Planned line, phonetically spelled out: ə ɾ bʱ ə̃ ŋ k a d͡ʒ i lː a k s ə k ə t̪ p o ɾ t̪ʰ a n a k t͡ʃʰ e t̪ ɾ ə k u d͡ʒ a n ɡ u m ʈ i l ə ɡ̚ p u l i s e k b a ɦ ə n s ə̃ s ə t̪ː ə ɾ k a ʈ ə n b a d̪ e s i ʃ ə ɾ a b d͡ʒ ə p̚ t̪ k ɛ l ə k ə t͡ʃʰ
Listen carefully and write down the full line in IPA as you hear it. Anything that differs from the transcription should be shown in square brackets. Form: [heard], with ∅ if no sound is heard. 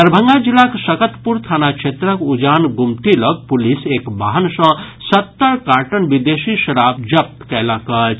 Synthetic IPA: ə ɾ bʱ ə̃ ŋ [ɡ] a d͡ʒ i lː a k s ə k ə t̪ p [u] ɾ t̪ʰ a n a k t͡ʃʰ e t̪ ɾ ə k u d͡ʒ a n ɡ u m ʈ i l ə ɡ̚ p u l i s e k b a ɦ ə n s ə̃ s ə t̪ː ə ɾ k a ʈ ə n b [i] d̪ e s i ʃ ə ɾ a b d͡ʒ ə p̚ t̪ k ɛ l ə k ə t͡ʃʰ

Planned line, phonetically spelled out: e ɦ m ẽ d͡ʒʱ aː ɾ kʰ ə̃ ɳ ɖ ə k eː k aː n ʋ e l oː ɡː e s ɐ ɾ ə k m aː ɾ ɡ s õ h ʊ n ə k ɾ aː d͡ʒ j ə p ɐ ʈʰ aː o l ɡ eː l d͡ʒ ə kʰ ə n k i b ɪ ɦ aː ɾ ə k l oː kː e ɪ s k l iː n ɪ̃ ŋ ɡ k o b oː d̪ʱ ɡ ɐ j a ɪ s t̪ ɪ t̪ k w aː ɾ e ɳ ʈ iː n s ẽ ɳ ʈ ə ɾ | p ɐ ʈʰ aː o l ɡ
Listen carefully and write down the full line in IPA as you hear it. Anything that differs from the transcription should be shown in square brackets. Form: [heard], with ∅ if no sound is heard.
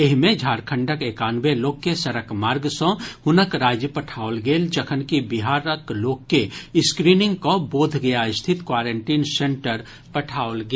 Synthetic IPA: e ɦ m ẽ d͡ʒʱ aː ɾ kʰ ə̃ ɳ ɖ ə k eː k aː n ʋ e l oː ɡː e s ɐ ɾ ə k m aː ɾ ɡ s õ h ʊ n ə k ɾ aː d͡ʒ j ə p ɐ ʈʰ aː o l ɡ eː l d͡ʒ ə kʰ ə n k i b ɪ ɦ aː ɾ ə k l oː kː e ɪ s k [ɾ] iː n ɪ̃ ŋ ɡ k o b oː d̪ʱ ɡ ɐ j a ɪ s [t̪ʰ] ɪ t̪ k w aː ɾ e ɳ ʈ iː n s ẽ ɳ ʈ ə ɾ | p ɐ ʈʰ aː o l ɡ

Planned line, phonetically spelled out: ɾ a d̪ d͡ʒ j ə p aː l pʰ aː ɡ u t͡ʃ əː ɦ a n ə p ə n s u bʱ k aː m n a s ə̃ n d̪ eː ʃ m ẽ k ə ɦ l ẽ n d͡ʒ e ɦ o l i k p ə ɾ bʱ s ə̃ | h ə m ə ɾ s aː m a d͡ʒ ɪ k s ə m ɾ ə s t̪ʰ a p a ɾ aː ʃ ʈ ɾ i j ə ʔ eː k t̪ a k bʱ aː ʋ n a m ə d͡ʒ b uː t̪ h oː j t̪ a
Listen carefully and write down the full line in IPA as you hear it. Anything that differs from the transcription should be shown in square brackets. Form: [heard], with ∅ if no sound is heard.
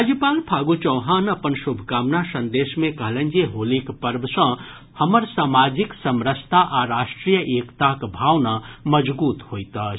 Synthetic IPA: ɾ a [∅] d͡ʒ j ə p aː l pʰ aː ɡ u t͡ʃ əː ɦ a n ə p ə n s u bʱ k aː m n a s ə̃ n d̪ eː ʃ m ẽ k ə ɦ l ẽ n d͡ʒ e ɦ o l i k p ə ɾ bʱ s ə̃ | h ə m ə ɾ s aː m a d͡ʒ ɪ k s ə m ɾ ə s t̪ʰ a [ʔ] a ɾ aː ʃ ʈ ɾ i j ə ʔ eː k t̪ a k bʱ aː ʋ n a m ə d͡ʒ b uː t̪ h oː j t̪ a

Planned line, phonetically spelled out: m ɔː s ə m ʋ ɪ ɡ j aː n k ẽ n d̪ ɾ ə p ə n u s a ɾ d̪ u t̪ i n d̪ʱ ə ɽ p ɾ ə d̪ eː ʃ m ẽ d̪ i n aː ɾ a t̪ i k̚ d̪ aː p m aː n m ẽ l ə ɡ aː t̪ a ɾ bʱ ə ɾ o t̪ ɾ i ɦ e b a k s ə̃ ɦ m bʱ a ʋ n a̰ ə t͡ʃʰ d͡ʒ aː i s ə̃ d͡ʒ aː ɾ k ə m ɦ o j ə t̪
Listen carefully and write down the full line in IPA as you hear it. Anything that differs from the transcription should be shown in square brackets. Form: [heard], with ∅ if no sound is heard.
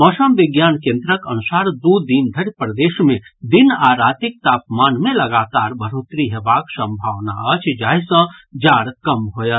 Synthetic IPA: m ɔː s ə m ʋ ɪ ɡ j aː n k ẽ n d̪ ɾ ə [k] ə n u s a ɾ d̪ u [d̪] i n d̪ʱ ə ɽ p ɾ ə d̪ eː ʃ m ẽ d̪ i n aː ɾ a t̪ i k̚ [t̪] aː p m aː n m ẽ l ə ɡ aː t̪ a ɾ bʱ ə ɾ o t̪ ɾ i ɦ e b a k s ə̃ [∅] m bʱ a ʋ n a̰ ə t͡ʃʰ d͡ʒ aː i s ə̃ d͡ʒ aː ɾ k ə m ɦ o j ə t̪

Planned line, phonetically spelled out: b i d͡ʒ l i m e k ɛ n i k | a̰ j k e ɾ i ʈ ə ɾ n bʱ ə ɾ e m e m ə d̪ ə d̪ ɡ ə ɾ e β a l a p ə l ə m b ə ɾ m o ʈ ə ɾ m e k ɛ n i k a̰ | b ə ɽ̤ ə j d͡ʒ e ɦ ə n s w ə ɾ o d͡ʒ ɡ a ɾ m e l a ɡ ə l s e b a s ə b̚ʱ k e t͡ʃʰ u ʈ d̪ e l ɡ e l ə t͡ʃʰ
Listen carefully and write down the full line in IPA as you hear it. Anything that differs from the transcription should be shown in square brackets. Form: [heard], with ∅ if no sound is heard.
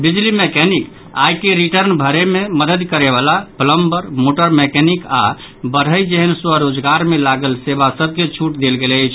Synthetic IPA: b i d͡ʒ l i m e k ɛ n i k | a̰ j k e ɾ i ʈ ə ɾ n bʱ ə ɾ e m e m ə d̪ ə d̪ [k] ə ɾ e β a l a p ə l ə m b ə ɾ m o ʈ ə ɾ m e k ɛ n i k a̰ | b ə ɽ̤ ə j d͡ʒ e ɦ ə n s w ə ɾ o d͡ʒ ɡ a ɾ m e l a ɡ ə l s e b a s ə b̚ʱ k e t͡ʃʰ u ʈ d̪ e l ɡ e l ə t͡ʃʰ

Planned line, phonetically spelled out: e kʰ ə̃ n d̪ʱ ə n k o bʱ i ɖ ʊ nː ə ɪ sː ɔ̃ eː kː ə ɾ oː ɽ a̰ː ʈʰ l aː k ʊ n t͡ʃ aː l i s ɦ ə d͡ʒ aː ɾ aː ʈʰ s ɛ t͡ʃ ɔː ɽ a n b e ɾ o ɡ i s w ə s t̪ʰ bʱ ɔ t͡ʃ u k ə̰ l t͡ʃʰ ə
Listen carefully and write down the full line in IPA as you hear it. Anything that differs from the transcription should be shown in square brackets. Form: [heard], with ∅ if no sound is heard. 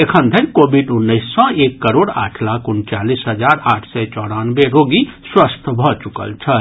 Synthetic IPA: e kʰ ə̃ n d̪ʱ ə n k o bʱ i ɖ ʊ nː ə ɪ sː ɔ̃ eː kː ə ɾ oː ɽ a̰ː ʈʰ l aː k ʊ n t͡ʃ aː l i s ɦ ə d͡ʒ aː ɾ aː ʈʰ s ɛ t͡ʃ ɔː ɽ a n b e ɾ o ɡ i s w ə s t̪ʰ bʱ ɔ t͡ʃ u k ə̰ l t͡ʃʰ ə

